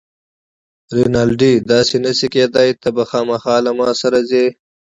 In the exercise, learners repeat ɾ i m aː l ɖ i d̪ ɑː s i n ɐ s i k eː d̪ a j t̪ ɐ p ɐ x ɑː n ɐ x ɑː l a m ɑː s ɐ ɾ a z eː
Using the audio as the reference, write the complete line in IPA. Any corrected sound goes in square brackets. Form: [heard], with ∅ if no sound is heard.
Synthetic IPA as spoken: ɾ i [n] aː l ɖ i d̪ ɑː s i n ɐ s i k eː d̪ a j t̪ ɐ [b] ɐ x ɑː [m] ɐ x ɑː l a m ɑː s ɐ ɾ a z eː